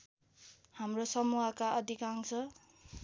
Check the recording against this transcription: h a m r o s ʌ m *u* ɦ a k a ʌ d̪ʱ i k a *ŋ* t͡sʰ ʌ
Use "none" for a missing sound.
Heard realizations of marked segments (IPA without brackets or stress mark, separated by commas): u, ŋ